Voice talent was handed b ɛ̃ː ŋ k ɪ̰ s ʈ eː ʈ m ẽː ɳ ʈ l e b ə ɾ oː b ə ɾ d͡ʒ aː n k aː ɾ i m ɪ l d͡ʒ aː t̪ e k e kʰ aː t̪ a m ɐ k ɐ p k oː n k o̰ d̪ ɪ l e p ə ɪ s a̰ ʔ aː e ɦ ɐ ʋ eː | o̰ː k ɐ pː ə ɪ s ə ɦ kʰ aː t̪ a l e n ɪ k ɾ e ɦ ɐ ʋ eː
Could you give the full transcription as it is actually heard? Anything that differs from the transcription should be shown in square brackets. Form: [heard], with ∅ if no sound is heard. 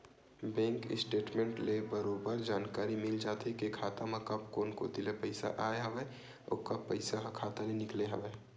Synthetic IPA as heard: b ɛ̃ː ŋ k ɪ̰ s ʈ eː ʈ m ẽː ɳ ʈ l e b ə ɾ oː b ə ɾ d͡ʒ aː n k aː ɾ i m ɪ l d͡ʒ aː t̪ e k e kʰ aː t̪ a m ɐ k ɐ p k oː n k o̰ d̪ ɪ l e p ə ɪ s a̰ ʔ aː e ɦ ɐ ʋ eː | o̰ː k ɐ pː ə ɪ s [a] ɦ kʰ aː t̪ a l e n ɪ k [l] e ɦ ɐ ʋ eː